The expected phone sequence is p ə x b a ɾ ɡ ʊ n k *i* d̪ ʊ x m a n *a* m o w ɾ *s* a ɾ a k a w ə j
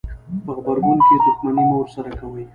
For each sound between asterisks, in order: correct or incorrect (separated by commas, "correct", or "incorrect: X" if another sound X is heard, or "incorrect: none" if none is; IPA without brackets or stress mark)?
incorrect: e, incorrect: i, correct